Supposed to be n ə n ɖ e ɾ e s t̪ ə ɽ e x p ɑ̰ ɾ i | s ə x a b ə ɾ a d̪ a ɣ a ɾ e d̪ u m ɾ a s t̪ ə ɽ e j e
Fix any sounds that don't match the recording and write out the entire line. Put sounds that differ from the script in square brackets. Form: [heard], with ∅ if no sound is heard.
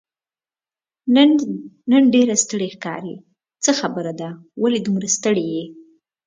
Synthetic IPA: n ə n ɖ e ɾ [a] s t̪ ə ɽ e x [k] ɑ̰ ɾ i | [t͡s] ə x a b ə ɾ a d̪ a [w] a [l] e d̪ u m ɾ a s t̪ ə ɽ e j e